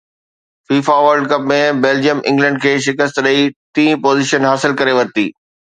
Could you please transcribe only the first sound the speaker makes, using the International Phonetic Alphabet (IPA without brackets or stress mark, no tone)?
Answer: f